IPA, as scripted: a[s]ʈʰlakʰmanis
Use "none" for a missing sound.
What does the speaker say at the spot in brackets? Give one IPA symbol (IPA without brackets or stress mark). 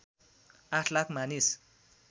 none